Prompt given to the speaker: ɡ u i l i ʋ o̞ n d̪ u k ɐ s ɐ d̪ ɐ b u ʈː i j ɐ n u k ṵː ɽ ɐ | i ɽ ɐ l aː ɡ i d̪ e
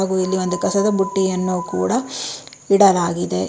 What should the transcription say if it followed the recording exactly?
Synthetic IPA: ɡ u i lː i ʋ o̞ n d̪ u k ɐ s ɐ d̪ ɐ b u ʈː i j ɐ nː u k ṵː ɽ ɐ | i ɽ ɐ l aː ɡ i d̪ e

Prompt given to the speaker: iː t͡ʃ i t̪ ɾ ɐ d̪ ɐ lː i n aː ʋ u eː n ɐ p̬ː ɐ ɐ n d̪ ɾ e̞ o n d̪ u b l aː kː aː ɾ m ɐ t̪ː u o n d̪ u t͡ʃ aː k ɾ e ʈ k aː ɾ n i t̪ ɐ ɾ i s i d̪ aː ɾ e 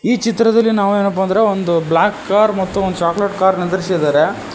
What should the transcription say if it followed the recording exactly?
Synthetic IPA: iː t͡ʃ i t̪ ɾ ɐ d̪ ɐ lː i n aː ʋ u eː n ɐ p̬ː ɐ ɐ n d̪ ɾ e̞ o n d̪ u b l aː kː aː ɾ m ɐ t̪ː u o n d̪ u t͡ʃ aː k l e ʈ k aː ɾ n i d̪ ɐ ɾ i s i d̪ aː ɾ e

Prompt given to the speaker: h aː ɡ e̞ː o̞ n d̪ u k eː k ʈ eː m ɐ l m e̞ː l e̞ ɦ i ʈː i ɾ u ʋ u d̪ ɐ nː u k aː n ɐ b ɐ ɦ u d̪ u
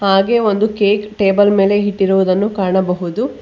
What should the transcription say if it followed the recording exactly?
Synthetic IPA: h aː ɡ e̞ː o̞ n d̪ u k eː k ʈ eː b ɐ l m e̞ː l e̞ ɦ i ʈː i ɾ u ʋ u d̪ ɐ nː u k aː ɳ ɐ b ɐ ɦ u d̪ u

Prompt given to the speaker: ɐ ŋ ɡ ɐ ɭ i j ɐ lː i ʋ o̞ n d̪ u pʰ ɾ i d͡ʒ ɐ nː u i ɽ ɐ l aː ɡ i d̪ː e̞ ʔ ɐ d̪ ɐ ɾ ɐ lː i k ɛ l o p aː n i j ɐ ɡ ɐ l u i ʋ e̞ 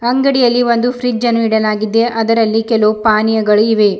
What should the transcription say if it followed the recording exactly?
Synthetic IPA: ɐ ŋ ɡ ɐ ɽ i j ɐ lː i ʋ o̞ n d̪ u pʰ ɾ i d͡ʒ ɐ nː u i ɽ ɐ l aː ɡ i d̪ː e̞ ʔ ɐ d̪ ɐ ɾ ɐ lː i k ɛ l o p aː n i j ɐ ɡ ɐ ɭ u i ʋ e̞

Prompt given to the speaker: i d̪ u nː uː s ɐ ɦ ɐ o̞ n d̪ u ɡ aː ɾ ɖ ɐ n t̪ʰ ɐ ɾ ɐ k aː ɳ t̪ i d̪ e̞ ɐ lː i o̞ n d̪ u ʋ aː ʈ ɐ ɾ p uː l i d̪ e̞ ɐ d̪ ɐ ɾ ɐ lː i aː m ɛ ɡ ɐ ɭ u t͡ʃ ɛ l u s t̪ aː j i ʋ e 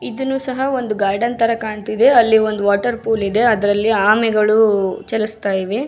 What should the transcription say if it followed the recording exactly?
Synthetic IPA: i d̪ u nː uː s ɐ ɦ ɐ o̞ n d̪ u ɡ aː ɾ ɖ ɐ n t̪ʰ ɐ ɾ ɐ k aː ɳ t̪ i d̪ e̞ ɐ lː i o̞ n d̪ u ʋ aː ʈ ɐ ɾ p uː l i d̪ e̞ ɐ d̪ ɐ ɾ ɐ lː i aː m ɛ ɡ ɐ ɭ u t͡ʃ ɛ l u s t̪ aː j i ʋ e

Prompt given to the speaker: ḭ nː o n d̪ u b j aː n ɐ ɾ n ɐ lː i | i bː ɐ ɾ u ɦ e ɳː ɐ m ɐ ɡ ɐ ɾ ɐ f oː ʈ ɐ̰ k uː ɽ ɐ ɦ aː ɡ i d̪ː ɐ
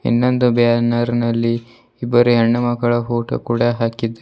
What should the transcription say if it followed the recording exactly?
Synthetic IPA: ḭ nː o n d̪ u b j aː n ɐ ɾ n ɐ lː i | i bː ɐ ɾ u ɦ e ɳː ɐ m ɐ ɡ ɐ ɭ ɐ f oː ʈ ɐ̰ k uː ɽ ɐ ɦ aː k i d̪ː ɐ

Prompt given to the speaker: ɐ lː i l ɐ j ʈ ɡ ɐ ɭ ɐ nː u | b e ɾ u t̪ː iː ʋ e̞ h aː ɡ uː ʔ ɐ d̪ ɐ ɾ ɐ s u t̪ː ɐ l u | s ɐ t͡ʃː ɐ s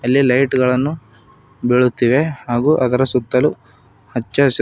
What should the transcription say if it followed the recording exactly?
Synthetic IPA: ɐ lː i l ɐ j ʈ ɡ ɐ ɭ ɐ nː u | b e ɭ u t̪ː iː ʋ e̞ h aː ɡ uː ʔ ɐ d̪ ɐ ɾ ɐ s u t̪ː ɐ l u | h ɐ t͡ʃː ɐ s

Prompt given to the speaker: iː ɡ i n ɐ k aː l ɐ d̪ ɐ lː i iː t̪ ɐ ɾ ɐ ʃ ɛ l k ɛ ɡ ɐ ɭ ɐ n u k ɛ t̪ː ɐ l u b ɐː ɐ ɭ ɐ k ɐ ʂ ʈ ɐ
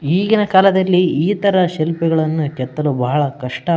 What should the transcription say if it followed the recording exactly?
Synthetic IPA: iː ɡ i n ɐ k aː l ɐ d̪ ɐ lː i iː t̪ ɐ ɾ ɐ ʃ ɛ l p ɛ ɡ ɐ ɭ ɐ nː u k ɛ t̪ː ɐ l u b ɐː ɐ ɭ ɐ k ɐ ʂ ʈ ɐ

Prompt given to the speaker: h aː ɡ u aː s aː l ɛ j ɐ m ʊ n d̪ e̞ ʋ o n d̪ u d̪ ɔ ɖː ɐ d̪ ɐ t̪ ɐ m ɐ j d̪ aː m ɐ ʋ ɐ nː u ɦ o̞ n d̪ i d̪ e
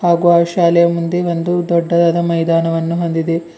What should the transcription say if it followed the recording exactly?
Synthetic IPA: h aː ɡ u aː ʃ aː l ɛ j ɐ m u n d̪ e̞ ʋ o n d̪ u d̪ ɔ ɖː ɐ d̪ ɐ d̪ ɐ m ɐ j d̪ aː n ɐ ʋ ɐ nː u ɦ o̞ n d̪ i d̪ e

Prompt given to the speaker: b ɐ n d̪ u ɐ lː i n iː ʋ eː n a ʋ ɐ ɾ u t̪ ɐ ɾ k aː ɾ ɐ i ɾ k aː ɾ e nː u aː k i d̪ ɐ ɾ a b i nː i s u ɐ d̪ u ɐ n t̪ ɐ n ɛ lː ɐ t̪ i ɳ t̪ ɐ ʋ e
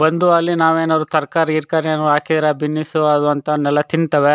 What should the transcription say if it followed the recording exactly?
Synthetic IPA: b ɐ n d̪ u ɐ lː i n aː ʋ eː n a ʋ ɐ ɾ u t̪ ɐ ɾ k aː ɾ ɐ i ɾ k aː ɾ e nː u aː k i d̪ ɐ ɾ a b i nː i s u ɐ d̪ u ɐ n t̪ ɐ n ɛ lː ɐ t̪ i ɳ t̪ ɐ ʋ e

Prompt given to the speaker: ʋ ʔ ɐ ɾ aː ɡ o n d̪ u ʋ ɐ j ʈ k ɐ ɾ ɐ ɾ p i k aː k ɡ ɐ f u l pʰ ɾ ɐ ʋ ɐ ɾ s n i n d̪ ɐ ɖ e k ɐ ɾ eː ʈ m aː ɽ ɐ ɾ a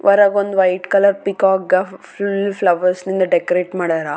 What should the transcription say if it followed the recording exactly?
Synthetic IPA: ʋ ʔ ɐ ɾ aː ɡ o n d̪ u ʋ ɐ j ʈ k ɐ l ɐ ɾ p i k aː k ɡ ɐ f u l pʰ l ɐ ʋ ɐ ɾ s n i n d̪ ɐ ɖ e k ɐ ɾ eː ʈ m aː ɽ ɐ ɾ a

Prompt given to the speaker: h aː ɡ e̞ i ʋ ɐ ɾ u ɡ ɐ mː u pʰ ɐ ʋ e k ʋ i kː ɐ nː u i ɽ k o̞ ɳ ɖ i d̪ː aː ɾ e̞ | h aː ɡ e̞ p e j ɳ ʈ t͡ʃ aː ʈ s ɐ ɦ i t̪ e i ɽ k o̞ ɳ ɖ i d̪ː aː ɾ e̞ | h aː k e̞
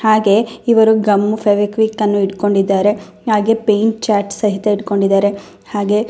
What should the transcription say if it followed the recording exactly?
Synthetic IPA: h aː ɡ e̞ i ʋ ɐ ɾ u ɡ ɐ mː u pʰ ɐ ʋ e k ʋ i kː ɐ nː u i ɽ k o̞ ɳ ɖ i d̪ː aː ɾ e̞ | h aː ɡ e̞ p e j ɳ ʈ t͡ʃ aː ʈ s ɐ ɦ i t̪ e i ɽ k o̞ ɳ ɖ i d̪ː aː ɾ e̞ | h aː ɡ e̞

